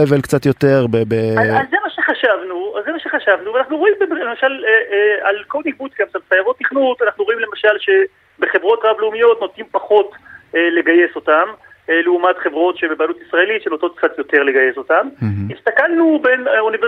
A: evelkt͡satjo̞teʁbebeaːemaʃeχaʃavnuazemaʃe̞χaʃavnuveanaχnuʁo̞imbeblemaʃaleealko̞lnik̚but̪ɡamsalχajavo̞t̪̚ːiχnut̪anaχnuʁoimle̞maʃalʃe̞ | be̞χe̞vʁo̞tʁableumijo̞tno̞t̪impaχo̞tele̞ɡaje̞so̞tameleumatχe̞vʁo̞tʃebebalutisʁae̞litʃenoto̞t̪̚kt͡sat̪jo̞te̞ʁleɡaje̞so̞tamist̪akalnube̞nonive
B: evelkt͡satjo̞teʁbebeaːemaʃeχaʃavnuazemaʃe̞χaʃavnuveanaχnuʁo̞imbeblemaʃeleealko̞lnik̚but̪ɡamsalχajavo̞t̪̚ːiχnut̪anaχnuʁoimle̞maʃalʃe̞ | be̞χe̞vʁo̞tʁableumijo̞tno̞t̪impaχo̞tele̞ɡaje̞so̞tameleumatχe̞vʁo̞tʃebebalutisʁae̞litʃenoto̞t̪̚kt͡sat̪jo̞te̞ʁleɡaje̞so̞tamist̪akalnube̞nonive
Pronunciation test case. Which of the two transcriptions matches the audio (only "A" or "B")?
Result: A